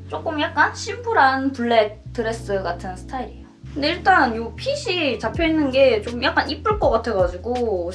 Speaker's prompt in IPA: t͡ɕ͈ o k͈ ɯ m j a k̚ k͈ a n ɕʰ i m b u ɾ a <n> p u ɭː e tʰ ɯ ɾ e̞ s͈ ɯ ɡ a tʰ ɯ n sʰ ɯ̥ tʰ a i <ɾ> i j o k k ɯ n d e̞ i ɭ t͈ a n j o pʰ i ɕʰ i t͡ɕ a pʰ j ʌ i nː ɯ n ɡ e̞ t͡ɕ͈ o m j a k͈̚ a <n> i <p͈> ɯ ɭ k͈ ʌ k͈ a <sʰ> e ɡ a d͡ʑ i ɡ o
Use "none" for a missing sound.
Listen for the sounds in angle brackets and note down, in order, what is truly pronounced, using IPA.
n, ɾ, n, p͈, tʰ

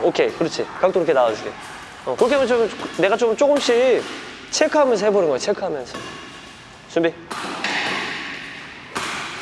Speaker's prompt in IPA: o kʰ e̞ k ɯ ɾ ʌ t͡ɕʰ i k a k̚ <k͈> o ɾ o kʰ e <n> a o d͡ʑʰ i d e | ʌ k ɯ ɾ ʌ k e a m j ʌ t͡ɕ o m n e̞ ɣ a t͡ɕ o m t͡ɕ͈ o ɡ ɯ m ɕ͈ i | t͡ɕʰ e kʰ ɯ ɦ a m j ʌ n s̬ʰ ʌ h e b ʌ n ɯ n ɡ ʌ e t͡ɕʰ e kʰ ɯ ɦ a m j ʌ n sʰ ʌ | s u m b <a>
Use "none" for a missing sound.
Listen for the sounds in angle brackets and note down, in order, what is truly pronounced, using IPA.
t͈, n, i

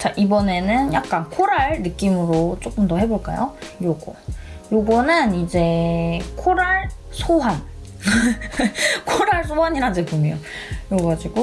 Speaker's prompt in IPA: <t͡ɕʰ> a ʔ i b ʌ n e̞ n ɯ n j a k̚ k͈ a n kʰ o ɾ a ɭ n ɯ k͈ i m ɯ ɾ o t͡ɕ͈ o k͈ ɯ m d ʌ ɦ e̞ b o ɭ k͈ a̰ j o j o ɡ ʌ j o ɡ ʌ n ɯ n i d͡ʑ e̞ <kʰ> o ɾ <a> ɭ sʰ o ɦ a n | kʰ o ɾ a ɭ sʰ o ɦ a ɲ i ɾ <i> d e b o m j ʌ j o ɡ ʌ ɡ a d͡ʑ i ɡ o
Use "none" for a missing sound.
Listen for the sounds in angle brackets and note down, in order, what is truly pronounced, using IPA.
t͡ɕ, kʰ, a, a

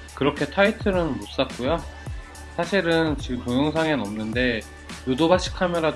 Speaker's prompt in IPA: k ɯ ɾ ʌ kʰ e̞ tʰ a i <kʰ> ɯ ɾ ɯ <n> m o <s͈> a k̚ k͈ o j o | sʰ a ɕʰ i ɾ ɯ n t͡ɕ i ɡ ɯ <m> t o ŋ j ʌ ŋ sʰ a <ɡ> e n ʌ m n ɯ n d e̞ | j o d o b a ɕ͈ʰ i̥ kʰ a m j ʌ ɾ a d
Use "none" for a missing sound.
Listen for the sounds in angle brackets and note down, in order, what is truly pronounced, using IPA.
tʰ, n, s͈, m, ŋ

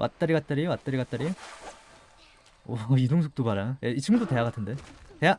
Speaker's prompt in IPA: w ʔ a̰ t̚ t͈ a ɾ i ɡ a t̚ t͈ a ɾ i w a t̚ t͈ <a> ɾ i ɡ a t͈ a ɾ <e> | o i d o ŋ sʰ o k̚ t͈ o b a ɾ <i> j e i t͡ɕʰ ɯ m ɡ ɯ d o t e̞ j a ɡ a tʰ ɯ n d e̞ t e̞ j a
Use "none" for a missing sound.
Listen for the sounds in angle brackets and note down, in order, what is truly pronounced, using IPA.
a, i, a

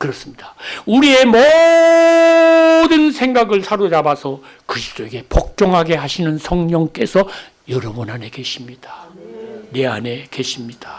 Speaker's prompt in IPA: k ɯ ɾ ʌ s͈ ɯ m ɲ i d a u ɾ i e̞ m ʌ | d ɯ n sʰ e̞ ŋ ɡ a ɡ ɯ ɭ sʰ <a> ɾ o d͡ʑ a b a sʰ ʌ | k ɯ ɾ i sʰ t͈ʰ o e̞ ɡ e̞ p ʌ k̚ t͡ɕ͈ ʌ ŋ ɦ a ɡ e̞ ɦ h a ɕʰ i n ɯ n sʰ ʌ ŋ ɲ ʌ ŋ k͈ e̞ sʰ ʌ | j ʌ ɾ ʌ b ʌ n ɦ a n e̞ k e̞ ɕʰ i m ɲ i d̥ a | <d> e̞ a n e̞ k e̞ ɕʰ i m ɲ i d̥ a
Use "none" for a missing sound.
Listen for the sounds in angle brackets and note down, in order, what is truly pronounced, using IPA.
a, n

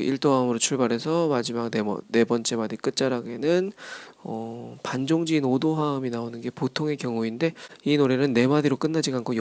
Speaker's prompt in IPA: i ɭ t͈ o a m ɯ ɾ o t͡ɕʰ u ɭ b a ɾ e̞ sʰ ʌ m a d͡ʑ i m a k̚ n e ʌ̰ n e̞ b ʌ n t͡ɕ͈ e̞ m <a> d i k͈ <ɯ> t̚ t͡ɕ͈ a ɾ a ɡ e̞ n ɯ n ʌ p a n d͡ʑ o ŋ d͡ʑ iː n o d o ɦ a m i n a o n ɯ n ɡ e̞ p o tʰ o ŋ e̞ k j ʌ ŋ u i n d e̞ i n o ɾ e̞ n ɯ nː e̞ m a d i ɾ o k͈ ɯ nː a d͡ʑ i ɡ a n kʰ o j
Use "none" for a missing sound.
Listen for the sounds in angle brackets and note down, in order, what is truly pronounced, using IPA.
a, ɯ

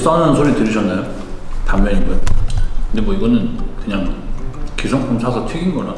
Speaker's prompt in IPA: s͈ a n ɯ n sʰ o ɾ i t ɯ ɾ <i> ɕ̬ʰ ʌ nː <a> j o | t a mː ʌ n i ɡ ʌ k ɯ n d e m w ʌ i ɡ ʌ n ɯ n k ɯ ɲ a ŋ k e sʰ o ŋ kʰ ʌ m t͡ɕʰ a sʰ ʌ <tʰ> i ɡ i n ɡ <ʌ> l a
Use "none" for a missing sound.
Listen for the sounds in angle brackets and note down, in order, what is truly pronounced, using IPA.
i, a, tʰ, ʌ

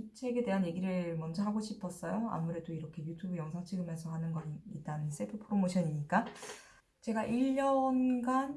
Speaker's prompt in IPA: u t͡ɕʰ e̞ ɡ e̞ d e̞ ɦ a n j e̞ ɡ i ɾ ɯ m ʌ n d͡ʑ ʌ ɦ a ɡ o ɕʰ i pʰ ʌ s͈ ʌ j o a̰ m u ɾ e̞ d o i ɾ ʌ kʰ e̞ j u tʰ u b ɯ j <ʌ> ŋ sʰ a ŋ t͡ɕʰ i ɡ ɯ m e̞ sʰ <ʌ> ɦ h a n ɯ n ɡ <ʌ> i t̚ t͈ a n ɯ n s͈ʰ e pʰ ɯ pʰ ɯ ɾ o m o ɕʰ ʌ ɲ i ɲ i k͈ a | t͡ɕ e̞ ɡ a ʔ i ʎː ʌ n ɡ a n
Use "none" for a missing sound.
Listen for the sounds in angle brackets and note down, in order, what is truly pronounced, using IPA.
ʌ, ʌ, ʌ

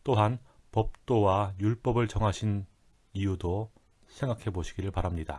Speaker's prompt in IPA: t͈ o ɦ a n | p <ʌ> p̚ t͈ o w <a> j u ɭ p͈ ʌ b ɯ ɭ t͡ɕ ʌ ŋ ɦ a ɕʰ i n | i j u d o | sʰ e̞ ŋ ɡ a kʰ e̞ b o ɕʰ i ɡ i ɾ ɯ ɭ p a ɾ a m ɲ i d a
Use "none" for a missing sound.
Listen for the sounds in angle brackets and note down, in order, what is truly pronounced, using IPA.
ʌ, a

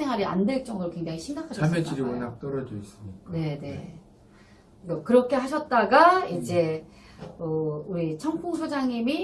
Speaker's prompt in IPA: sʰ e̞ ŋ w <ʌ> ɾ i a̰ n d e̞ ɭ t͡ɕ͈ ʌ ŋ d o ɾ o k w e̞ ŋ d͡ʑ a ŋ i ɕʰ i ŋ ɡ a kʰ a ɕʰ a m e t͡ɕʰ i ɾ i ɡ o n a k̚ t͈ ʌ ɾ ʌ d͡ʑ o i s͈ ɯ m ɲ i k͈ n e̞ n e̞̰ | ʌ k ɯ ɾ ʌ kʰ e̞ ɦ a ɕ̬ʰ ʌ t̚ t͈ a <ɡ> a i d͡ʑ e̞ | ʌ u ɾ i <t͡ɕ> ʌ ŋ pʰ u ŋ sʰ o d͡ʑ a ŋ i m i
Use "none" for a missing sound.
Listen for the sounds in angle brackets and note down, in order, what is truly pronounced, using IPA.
a, ɡ, t͡ɕʰ

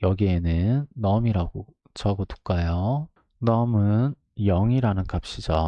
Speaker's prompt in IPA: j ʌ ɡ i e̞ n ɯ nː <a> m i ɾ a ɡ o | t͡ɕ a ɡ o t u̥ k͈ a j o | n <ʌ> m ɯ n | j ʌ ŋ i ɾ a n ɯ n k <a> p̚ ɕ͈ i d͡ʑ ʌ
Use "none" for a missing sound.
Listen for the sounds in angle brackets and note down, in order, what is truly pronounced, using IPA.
ʌ, ʌ, a

